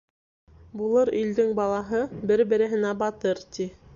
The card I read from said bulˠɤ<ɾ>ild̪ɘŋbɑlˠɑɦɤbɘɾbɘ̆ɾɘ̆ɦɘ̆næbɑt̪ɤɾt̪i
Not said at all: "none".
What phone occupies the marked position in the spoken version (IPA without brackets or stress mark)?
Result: ɾ